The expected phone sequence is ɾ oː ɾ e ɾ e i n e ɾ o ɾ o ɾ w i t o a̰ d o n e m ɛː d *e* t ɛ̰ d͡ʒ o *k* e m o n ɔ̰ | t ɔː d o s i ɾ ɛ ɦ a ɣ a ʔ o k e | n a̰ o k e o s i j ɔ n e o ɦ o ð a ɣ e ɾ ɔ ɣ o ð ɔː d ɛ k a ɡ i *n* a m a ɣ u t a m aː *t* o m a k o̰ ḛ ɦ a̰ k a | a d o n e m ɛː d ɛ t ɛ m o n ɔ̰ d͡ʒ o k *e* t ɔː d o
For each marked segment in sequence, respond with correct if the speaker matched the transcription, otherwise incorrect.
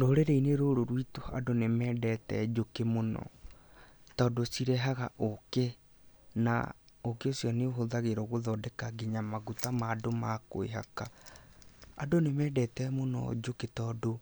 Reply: incorrect: ɛ, correct, incorrect: ɲ, incorrect: d, correct

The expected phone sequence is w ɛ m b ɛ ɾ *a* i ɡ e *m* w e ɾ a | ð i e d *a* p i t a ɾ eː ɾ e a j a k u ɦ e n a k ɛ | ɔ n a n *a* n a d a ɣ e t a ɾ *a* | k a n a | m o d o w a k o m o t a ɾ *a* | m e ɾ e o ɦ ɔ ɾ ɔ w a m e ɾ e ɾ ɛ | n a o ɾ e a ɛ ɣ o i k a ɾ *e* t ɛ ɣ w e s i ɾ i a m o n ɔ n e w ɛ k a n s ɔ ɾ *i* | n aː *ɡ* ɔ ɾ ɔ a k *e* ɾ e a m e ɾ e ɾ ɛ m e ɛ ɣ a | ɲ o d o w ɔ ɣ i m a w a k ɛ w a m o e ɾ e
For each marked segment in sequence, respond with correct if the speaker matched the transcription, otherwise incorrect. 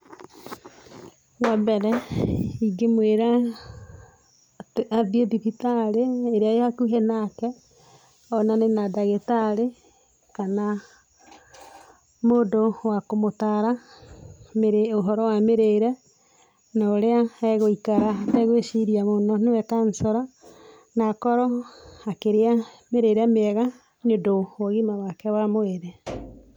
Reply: incorrect: ɛ, correct, incorrect: i, incorrect: e, incorrect: e, correct, incorrect: a, incorrect: a, incorrect: k, correct

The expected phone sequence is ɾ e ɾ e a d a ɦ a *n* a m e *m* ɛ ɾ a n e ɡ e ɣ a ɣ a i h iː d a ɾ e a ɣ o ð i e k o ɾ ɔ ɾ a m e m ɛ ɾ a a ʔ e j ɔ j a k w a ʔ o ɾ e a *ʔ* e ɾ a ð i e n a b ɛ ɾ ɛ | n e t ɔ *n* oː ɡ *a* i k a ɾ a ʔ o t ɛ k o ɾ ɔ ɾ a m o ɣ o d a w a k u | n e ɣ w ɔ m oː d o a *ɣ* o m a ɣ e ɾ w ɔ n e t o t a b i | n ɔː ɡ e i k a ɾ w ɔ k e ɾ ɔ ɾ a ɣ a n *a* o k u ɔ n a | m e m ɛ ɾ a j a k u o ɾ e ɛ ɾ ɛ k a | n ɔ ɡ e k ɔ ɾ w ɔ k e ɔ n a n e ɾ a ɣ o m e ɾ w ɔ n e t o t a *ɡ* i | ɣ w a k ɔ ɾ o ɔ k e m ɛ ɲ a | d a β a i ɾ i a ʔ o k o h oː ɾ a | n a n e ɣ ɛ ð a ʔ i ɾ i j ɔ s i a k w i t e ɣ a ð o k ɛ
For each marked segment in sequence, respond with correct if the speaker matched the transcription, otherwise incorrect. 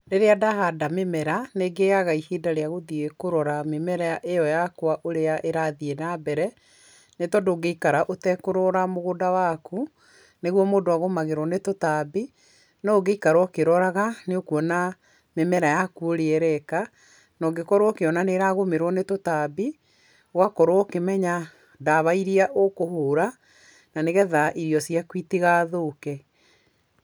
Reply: incorrect: d, correct, correct, incorrect: d, incorrect: e, correct, incorrect: e, incorrect: b

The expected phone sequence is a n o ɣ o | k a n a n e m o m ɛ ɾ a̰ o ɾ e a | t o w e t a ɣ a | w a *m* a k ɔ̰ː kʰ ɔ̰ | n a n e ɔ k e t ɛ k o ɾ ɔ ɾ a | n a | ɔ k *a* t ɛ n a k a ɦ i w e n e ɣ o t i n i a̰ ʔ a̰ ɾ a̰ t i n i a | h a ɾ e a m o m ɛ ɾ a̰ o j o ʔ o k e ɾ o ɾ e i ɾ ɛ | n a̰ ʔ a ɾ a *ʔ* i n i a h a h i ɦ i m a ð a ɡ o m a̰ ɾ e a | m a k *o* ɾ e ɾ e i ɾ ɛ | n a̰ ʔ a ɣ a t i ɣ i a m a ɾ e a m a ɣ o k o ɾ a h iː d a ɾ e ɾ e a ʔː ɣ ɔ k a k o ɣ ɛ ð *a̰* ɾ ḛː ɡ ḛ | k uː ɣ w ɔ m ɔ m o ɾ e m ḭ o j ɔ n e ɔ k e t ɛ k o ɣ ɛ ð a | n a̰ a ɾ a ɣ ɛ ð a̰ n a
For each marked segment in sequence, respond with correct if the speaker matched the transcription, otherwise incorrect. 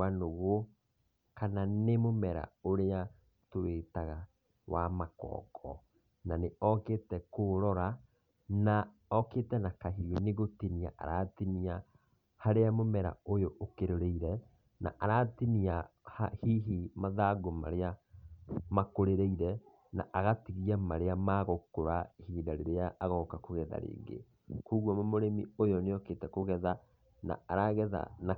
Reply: correct, incorrect: e, incorrect: t, correct, correct

